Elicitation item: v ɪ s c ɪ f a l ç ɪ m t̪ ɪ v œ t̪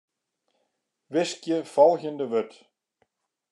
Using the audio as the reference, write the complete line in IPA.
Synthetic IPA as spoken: v ɪ s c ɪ f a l ç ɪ n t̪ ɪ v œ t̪